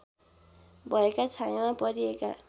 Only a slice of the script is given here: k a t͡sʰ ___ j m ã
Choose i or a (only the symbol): a